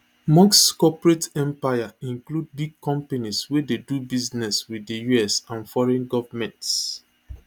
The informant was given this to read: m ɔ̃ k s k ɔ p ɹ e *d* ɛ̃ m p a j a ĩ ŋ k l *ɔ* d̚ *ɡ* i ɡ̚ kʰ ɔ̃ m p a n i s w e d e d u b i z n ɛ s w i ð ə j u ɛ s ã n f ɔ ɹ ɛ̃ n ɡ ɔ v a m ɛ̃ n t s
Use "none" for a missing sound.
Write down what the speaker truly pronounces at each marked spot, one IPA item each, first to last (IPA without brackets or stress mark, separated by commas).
t, u, b